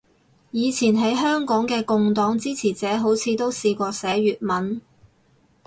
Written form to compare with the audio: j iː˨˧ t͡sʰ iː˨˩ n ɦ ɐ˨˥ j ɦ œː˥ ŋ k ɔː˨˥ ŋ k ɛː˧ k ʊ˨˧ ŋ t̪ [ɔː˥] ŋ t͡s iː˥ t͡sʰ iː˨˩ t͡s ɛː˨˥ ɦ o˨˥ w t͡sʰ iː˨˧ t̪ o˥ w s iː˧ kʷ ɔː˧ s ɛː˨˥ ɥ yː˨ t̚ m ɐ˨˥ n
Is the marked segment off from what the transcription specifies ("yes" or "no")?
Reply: yes